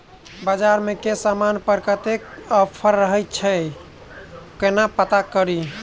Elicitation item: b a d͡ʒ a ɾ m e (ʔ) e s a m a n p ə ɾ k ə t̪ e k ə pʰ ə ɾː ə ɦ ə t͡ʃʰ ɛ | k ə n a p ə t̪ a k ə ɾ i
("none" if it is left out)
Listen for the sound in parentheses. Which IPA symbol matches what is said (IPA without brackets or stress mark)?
k